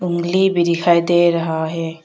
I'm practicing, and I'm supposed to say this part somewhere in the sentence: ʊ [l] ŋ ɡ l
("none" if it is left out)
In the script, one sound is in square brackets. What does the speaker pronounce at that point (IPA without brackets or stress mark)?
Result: none